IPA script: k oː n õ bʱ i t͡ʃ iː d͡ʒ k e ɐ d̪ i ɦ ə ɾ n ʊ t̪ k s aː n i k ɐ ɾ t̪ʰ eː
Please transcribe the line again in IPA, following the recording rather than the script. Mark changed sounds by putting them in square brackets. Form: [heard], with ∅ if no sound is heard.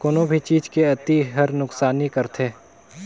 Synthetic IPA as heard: k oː n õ bʱ i t͡ʃ iː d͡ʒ k e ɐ [t̪] i ɦ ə ɾ n ʊ [∅] k s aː n i k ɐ ɾ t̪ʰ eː